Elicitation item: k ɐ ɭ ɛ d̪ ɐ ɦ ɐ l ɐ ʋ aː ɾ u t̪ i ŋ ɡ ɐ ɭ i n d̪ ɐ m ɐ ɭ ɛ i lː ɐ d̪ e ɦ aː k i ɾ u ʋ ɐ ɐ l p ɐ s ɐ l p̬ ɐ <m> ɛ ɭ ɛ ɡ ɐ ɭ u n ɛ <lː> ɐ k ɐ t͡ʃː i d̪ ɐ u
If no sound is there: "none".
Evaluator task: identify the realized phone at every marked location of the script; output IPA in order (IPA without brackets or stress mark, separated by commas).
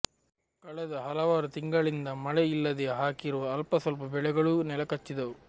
b, l